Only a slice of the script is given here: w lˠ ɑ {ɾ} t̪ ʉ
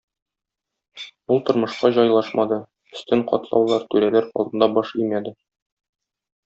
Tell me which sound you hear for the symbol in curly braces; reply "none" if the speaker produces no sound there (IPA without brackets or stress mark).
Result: ɾ